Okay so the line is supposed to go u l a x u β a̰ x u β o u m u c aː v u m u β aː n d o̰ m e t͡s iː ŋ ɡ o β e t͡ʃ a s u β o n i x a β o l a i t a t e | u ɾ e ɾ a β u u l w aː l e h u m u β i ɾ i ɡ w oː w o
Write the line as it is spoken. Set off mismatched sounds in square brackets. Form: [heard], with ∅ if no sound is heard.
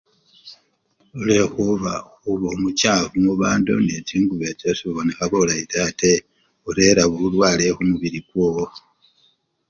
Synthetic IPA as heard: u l [e] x u β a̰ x u β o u m u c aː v u m u β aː n d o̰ [n] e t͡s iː ŋ ɡ [u] β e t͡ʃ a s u β o n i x a β o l a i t a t e | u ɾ e ɾ a β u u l w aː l e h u m u β i ɾ i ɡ w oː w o